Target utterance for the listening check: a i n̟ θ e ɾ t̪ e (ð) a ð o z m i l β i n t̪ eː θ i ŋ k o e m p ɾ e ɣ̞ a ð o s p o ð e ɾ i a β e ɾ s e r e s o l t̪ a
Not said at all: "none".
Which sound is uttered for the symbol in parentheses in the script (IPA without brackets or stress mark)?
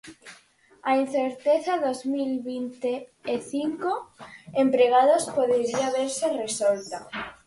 θ